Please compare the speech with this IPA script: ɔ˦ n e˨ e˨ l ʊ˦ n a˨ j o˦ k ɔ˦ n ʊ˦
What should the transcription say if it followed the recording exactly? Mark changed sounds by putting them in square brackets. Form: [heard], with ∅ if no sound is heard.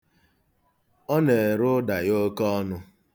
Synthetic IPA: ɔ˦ n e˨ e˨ [ɾ] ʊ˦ [d] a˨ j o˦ k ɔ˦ n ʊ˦